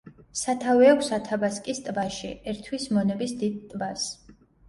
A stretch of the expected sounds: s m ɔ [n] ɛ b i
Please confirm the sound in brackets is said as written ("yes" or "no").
yes